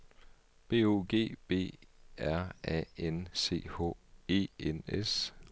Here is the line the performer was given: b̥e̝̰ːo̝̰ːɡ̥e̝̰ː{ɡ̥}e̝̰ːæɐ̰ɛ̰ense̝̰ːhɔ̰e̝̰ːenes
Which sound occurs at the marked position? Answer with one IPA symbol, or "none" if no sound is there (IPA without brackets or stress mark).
b̥